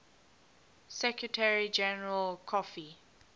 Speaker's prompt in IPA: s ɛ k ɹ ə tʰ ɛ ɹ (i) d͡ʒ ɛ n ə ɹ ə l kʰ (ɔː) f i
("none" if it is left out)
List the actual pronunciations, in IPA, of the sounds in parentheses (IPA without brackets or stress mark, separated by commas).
i, ɔ